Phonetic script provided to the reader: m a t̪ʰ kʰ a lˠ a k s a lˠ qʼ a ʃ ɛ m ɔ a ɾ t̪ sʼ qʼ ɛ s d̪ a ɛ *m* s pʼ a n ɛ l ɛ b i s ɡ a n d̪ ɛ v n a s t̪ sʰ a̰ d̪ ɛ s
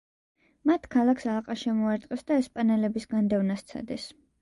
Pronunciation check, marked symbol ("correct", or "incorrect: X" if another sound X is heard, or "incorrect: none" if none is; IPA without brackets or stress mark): incorrect: none